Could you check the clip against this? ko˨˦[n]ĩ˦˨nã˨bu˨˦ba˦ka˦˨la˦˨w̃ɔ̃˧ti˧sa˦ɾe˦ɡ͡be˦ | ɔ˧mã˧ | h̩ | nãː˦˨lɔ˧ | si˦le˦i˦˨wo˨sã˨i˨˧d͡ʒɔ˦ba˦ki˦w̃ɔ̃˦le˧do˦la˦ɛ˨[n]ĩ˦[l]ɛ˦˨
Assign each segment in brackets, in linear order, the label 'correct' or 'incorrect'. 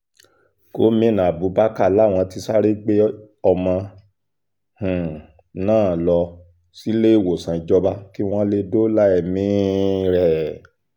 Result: incorrect, incorrect, incorrect

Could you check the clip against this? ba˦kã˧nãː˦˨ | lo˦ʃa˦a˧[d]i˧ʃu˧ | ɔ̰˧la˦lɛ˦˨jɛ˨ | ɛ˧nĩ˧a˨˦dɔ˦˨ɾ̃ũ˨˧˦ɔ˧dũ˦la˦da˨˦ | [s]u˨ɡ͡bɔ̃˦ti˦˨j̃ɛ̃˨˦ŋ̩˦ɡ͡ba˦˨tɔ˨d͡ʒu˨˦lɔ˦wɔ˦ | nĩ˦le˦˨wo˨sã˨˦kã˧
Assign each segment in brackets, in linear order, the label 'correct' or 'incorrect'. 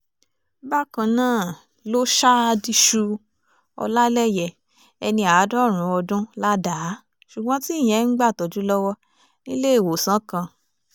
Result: correct, incorrect

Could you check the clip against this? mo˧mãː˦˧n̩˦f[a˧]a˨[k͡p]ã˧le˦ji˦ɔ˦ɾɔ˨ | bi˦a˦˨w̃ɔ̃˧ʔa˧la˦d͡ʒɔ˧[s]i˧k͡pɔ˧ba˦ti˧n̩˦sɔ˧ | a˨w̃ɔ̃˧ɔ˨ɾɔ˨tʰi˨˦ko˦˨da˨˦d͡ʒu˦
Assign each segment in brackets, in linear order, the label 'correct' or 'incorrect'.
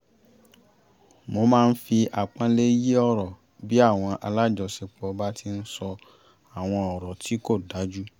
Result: incorrect, correct, correct

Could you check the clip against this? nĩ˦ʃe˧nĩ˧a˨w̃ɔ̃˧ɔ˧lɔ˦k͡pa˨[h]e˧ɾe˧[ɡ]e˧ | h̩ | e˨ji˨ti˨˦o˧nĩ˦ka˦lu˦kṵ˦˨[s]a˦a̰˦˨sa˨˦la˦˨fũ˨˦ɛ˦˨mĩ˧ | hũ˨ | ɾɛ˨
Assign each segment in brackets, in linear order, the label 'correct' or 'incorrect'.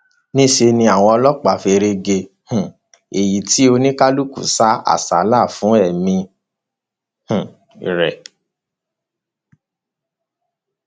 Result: incorrect, correct, correct

